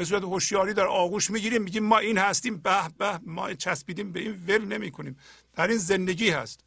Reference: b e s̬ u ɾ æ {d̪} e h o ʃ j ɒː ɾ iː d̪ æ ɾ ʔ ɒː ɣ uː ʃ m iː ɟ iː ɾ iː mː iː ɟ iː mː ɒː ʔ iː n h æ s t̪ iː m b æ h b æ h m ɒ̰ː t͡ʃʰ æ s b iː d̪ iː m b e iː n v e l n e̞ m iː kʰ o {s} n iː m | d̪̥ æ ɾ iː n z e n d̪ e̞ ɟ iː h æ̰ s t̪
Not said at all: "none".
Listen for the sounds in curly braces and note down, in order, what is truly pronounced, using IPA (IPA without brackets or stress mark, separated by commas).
t̪, none